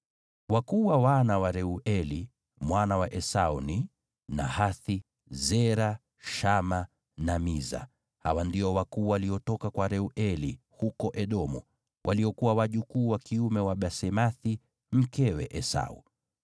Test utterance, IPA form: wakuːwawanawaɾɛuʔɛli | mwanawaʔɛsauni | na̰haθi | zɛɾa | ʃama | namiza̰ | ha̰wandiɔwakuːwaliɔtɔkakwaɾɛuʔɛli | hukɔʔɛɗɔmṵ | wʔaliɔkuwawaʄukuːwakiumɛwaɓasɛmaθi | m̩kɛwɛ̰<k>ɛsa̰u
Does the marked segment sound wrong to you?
yes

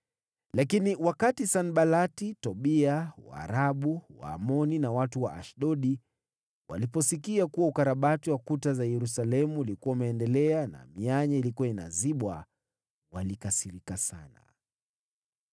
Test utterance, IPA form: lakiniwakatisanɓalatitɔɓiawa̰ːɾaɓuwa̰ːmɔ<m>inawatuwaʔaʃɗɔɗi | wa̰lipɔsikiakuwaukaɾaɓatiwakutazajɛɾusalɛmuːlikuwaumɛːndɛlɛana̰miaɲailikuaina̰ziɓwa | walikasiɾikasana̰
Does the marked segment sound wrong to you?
yes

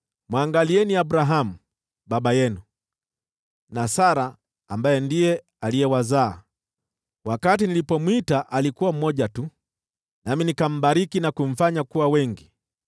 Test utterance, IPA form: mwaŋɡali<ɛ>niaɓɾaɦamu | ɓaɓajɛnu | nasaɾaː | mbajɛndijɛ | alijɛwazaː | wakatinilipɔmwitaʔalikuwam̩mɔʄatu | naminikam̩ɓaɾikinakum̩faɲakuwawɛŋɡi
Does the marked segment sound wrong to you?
no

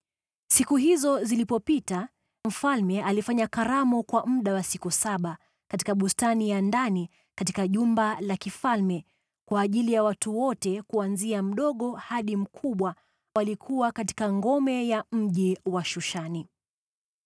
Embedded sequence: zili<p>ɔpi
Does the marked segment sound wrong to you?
no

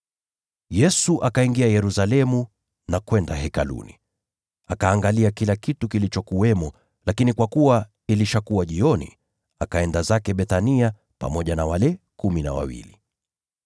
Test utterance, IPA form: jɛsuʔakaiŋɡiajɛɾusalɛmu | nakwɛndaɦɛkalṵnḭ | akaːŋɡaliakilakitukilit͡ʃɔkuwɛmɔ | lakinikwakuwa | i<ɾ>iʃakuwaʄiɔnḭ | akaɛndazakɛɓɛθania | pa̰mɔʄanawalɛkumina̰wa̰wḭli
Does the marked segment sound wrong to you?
yes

